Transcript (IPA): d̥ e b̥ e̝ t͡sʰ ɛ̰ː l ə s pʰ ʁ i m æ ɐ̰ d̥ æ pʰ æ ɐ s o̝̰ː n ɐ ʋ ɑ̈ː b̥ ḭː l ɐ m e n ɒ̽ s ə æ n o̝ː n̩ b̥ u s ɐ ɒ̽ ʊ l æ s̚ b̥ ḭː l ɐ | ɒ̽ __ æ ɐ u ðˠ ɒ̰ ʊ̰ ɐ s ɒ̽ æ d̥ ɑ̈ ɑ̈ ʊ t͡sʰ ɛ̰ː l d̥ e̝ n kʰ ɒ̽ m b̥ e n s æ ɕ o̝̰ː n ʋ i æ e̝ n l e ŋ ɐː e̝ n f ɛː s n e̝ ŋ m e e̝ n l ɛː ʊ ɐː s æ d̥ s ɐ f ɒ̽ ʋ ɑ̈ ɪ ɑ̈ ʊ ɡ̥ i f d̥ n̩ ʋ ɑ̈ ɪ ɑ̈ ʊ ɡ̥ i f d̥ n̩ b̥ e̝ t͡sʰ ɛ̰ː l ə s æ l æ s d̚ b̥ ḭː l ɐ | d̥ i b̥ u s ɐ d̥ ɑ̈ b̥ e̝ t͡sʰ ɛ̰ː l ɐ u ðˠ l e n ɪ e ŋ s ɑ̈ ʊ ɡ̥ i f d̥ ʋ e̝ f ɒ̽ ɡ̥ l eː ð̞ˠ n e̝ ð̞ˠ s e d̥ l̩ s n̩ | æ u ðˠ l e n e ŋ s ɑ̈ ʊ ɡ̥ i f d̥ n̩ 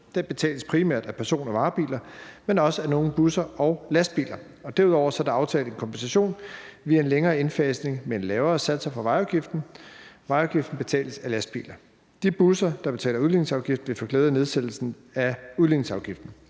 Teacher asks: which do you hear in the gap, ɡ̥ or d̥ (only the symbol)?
d̥